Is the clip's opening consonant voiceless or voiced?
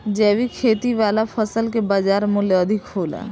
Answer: voiced